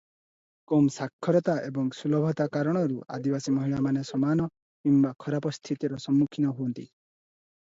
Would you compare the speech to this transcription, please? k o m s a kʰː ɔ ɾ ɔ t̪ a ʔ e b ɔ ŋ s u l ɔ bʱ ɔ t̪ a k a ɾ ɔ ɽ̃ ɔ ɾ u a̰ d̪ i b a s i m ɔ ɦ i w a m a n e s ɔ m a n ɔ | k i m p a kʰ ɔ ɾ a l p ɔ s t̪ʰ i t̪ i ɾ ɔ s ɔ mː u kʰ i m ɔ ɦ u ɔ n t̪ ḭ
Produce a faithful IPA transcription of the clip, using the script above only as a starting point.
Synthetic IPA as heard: k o m s a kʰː ɔ ɾ ɔ t̪ a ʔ e b ɔ ŋ s u l ɔ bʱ ɔ t̪ a k a ɾ ɔ ɽ̃ ɔ ɾ u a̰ d̪ i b a s i m ɔ ɦ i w a m a n e s ɔ m a n ɔ | k i m b a kʰ ɔ ɾ a p ɔ s t̪ʰ i t̪ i ɾ ɔ s ɔ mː u kʰ i n ɔ ɦ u ɔ n t̪ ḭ